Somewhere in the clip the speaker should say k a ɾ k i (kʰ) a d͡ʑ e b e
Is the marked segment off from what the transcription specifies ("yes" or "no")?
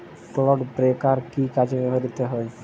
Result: yes